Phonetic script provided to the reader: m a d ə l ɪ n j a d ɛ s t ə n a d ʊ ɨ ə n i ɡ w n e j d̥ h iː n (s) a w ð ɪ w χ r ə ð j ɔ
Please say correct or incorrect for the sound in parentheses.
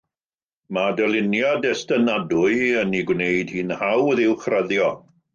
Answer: incorrect